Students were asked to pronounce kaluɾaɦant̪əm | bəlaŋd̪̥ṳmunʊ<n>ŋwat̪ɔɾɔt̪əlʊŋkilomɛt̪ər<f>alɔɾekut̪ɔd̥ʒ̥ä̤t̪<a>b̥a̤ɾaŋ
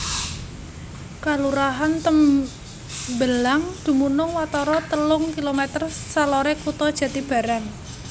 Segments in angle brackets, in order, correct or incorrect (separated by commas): incorrect, incorrect, incorrect